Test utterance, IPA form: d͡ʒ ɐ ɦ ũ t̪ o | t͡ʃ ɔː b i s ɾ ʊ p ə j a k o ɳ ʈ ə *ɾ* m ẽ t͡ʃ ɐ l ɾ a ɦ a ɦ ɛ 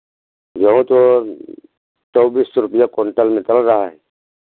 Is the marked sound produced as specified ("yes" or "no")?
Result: no